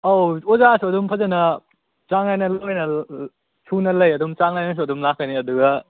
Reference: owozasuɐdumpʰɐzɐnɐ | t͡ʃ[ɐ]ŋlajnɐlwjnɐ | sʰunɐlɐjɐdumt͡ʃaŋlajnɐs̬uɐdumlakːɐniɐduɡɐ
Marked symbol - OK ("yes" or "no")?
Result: no